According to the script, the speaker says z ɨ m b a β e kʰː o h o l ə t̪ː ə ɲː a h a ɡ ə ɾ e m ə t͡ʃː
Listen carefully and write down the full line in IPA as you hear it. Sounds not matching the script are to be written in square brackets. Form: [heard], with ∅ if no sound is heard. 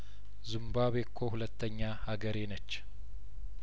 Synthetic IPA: z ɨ m b a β e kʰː o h [u] l ə t̪ː ə ɲː a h a ɡ ə ɾ e [n] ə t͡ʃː